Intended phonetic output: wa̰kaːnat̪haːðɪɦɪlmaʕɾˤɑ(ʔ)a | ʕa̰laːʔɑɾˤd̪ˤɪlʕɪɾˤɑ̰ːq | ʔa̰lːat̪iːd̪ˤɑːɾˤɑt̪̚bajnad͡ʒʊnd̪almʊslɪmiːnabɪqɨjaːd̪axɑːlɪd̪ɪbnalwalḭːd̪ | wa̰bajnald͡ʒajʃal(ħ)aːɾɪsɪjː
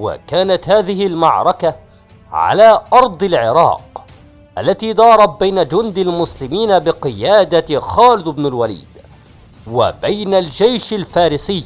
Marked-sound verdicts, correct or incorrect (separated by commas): incorrect, incorrect